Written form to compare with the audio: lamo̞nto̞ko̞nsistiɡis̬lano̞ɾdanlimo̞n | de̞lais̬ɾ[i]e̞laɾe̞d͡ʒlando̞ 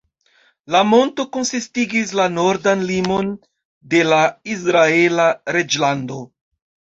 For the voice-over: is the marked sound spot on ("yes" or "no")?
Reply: no